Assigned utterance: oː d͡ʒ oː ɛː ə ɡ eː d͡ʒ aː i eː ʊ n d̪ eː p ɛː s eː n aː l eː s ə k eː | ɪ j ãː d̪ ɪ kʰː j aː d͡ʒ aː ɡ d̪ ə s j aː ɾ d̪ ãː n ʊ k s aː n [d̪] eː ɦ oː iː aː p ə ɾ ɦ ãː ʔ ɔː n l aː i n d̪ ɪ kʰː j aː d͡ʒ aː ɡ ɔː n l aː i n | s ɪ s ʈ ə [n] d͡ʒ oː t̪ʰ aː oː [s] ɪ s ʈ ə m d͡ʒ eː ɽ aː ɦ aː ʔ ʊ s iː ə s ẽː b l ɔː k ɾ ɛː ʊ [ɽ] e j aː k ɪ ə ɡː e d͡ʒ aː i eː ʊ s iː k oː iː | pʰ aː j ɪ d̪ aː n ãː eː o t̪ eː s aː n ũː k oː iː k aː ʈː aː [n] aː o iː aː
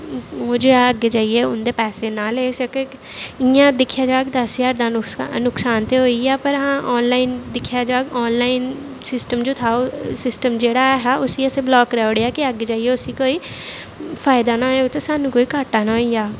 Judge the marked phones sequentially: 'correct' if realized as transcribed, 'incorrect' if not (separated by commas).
incorrect, incorrect, correct, correct, correct